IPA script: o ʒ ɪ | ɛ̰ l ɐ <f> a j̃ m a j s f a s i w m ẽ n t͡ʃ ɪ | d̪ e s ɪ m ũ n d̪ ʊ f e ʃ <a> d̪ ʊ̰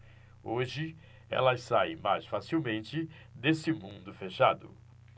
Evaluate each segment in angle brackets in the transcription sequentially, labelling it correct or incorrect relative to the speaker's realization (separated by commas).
incorrect, correct